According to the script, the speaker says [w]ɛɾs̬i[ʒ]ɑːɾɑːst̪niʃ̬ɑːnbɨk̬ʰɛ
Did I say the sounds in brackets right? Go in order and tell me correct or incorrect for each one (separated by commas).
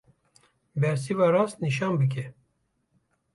incorrect, incorrect